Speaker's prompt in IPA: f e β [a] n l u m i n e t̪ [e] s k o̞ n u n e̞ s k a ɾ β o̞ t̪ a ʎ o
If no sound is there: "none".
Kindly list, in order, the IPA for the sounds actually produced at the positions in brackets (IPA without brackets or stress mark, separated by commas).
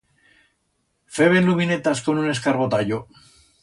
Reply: e, a